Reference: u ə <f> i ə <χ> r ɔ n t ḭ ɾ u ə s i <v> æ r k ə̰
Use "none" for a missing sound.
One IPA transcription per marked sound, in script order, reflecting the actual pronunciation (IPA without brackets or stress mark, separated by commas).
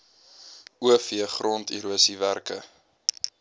f, χ, v